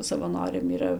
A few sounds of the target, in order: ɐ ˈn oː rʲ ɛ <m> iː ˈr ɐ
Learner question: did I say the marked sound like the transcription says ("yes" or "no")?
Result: yes